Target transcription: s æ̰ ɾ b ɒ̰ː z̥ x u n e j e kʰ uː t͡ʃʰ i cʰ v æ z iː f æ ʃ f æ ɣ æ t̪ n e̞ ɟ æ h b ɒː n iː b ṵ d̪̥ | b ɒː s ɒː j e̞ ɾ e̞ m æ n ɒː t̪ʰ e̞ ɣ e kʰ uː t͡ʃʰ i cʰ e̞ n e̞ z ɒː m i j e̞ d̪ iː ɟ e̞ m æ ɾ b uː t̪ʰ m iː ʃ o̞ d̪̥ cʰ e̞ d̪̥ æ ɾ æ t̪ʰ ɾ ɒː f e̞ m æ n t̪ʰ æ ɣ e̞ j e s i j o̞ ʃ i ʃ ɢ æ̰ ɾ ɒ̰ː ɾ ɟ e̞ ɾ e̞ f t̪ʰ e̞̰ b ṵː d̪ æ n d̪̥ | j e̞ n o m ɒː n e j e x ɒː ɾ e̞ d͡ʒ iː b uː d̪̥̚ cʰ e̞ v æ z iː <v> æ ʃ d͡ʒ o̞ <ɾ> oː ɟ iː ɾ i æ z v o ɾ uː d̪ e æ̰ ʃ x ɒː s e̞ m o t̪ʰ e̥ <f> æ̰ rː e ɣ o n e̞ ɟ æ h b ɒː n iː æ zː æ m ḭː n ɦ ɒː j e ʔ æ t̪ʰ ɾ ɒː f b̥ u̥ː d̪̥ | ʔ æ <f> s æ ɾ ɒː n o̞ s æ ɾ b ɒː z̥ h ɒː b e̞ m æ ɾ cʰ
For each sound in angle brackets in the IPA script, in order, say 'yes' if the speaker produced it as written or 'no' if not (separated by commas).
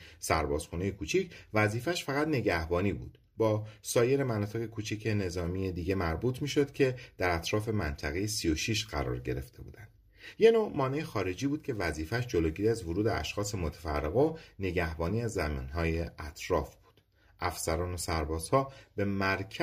no, no, yes, yes